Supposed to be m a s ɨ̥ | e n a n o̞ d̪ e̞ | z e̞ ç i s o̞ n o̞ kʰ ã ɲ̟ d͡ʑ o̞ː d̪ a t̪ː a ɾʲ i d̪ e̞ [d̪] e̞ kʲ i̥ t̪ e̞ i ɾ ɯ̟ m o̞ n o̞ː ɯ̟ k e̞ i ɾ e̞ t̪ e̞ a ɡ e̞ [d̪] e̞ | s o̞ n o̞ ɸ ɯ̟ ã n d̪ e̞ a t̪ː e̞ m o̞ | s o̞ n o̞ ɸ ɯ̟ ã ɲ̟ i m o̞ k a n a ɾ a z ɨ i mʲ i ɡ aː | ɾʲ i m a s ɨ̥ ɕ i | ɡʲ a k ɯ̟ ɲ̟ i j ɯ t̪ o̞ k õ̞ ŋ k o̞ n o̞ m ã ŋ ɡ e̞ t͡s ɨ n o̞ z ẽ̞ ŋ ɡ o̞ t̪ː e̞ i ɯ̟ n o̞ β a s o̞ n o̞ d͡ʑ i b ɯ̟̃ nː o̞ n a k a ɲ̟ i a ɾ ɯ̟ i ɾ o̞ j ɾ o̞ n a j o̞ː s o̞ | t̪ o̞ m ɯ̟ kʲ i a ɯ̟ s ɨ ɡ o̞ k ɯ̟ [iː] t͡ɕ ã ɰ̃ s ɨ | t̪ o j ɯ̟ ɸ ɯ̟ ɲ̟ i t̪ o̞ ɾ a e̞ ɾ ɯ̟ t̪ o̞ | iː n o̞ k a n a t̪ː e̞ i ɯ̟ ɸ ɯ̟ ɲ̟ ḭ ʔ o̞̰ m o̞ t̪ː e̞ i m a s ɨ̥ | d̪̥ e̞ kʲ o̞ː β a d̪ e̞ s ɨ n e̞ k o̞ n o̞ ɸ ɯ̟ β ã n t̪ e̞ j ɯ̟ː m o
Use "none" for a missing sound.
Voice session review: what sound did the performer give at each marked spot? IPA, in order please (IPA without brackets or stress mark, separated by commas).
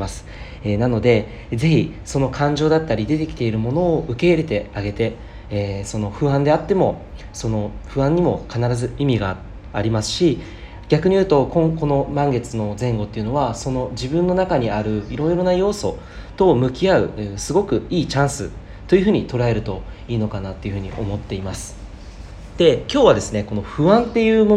t̪, t̪, iː